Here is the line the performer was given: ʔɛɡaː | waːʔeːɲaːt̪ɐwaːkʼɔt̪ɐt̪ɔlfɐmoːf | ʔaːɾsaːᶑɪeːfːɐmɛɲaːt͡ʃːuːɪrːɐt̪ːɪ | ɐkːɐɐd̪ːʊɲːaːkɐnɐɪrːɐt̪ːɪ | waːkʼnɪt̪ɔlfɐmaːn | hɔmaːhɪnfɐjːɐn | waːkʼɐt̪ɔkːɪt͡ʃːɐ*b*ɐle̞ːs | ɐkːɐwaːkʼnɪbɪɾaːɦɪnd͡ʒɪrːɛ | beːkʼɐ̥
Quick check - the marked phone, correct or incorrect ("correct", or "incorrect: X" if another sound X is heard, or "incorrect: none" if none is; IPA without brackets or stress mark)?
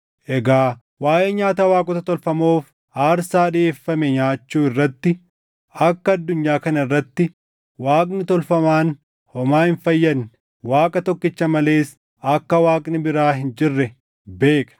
incorrect: m